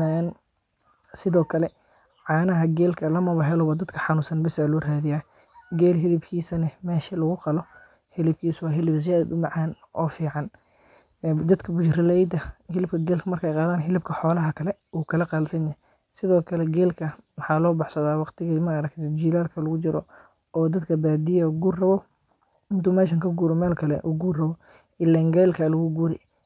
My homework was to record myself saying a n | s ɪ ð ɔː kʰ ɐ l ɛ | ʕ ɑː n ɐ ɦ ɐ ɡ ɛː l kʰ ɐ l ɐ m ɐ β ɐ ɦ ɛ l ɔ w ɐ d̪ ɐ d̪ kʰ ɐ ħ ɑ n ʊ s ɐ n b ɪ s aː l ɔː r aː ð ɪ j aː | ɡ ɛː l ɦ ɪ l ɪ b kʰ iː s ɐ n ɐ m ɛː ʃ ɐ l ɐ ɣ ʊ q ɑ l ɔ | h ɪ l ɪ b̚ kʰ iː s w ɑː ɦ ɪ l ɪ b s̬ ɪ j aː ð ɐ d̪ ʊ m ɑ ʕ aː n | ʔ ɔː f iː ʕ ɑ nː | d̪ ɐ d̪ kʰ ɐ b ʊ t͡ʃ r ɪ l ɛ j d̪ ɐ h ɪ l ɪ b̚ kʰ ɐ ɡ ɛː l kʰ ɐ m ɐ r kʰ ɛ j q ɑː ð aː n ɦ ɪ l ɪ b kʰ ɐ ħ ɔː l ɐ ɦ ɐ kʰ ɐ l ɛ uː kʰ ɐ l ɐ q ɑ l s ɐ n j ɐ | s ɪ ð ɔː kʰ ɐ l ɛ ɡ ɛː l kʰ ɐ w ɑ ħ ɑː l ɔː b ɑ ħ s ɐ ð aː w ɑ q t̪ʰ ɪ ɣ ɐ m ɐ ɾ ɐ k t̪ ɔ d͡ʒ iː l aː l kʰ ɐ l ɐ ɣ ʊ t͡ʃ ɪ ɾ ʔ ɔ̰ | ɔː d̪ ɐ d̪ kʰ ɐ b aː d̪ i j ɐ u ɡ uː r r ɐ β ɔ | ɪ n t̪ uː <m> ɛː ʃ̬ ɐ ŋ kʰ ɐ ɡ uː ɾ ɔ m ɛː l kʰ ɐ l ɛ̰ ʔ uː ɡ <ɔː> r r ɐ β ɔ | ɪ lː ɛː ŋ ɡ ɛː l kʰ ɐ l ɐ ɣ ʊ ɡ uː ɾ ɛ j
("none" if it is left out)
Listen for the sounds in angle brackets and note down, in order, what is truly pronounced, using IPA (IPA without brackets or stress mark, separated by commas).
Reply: m, uː